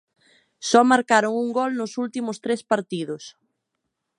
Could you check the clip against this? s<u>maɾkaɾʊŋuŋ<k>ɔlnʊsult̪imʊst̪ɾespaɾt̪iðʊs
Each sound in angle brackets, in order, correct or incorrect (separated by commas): incorrect, incorrect